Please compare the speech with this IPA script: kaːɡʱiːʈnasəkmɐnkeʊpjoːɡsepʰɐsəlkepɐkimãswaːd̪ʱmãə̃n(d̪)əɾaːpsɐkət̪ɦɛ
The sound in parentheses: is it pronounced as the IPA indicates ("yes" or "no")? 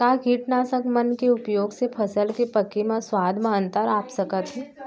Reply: no